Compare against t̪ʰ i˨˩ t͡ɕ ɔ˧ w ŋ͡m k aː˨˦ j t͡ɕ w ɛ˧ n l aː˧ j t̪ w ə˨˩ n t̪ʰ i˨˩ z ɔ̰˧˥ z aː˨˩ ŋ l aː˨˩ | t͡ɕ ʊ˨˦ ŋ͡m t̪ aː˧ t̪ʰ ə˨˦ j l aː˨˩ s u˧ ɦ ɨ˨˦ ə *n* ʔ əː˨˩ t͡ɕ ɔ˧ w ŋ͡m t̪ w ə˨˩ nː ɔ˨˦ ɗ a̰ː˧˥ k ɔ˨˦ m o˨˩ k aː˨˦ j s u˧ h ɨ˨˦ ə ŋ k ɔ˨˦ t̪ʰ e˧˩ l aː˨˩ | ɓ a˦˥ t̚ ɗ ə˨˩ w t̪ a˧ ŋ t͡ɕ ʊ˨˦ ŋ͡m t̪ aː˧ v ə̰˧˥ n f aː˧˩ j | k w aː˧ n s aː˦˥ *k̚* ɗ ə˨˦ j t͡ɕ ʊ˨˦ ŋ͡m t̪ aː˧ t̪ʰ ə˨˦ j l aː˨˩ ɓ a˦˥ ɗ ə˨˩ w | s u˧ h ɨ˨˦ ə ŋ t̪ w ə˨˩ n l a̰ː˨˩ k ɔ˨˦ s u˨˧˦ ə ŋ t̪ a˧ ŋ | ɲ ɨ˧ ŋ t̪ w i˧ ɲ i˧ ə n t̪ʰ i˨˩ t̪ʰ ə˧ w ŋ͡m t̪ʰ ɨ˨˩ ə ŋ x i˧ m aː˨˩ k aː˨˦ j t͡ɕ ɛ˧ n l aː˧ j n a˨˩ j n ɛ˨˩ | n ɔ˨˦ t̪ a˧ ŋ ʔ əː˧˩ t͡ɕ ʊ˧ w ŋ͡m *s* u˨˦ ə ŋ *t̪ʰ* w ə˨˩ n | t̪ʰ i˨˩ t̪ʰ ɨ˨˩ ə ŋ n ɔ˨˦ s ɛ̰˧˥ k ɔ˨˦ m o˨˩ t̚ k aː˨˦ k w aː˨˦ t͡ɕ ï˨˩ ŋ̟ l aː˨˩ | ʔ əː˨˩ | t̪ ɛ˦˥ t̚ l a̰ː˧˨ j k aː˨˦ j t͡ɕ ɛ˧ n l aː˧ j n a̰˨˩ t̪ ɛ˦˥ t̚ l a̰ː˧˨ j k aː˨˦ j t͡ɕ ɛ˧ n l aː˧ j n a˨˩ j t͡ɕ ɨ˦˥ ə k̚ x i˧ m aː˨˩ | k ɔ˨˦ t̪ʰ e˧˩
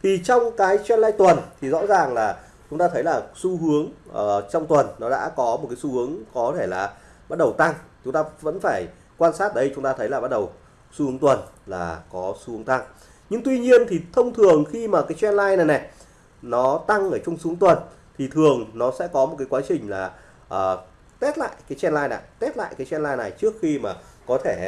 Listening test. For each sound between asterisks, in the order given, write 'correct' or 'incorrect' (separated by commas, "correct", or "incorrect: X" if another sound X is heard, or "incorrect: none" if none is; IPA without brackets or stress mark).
incorrect: ŋ, incorrect: t̚, correct, incorrect: t̪